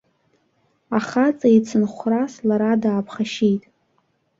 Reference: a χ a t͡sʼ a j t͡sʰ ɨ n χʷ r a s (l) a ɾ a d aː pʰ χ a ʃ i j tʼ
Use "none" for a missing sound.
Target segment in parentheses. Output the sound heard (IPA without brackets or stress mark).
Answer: l